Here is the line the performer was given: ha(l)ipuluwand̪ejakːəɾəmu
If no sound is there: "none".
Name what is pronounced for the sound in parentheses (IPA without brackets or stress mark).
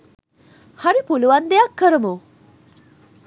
ɾ